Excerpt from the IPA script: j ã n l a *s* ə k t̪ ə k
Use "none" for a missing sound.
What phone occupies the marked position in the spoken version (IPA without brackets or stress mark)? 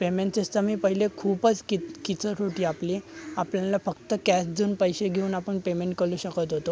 f